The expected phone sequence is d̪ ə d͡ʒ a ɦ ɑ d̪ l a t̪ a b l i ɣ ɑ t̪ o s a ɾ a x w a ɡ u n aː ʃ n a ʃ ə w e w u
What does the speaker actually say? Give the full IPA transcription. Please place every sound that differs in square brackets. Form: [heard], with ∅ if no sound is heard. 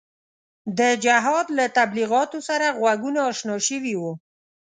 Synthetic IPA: d̪ ə d͡ʒ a ɦ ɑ d̪ l a t̪ a b l i ɣ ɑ t̪ o s a ɾ a [ɣ] w a ɡ u n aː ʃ n [ɑ] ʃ ə w [i] w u